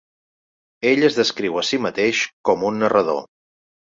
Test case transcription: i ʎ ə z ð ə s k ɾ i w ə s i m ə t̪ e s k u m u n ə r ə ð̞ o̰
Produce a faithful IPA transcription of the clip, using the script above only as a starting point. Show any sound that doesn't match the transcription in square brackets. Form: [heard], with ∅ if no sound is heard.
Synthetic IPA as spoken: [e] ʎ ə z ð ə s k ɾ i w ə s i m ə t̪ e [ʃ] k [ɔ] m u [nː] ə r ə ð̞ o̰